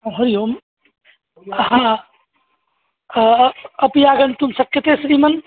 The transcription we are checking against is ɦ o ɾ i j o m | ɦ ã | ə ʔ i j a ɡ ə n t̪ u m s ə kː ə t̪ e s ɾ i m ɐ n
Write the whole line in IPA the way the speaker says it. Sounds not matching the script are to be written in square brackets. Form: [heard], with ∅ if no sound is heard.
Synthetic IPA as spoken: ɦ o ɾ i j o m | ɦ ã | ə [p] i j a ɡ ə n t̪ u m s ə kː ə t̪ e s ɾ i m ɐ n